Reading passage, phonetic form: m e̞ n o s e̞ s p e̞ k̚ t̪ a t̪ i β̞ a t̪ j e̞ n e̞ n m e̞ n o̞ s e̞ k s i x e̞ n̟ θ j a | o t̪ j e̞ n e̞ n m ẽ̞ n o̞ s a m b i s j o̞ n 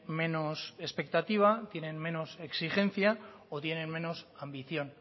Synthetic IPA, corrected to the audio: m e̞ n o s e̞ s p e̞ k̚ t̪ a t̪ i β̞ a t̪ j e̞ n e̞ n m e̞ n o̞ s e̞ k s i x e̞ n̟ θ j a | o t̪ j e̞ n e̞ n m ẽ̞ n o̞ s a m b i θ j o̞ n